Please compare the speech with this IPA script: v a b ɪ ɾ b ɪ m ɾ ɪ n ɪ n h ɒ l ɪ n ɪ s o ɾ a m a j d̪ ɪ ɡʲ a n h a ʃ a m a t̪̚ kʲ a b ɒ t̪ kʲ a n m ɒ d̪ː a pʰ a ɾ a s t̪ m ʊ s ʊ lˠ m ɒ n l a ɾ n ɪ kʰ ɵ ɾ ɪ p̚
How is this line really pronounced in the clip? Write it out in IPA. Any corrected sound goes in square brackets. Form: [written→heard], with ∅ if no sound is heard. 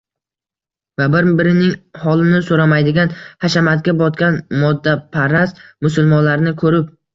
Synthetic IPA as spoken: v a b ɪ ɾ b ɪ [m→∅] ɾ ɪ n ɪ [n→ŋ] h ɒ l ɪ n ɪ s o ɾ a m a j d̪ ɪ ɡʲ a n h a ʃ a m a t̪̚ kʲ a b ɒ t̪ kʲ a n m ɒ d̪ː a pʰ a ɾ a s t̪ m ʊ s ʊ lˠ m ɒ n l a ɾ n ɪ kʰ ɵ ɾ ɪ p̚